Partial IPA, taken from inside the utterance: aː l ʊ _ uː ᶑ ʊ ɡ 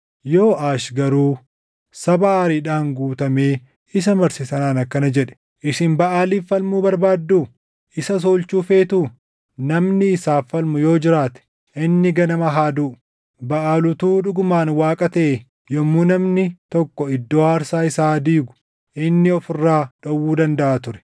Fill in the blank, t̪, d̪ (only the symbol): t̪